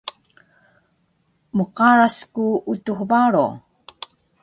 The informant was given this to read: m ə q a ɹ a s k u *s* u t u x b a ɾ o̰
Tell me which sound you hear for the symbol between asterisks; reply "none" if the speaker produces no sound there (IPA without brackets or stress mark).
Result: none